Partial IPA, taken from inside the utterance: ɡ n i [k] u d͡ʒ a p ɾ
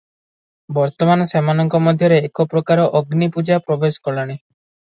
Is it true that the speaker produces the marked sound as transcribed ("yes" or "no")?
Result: no